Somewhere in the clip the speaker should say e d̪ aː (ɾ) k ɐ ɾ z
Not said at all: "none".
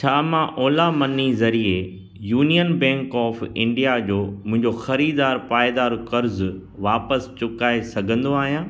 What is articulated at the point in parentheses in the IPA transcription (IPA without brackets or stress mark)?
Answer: ɾ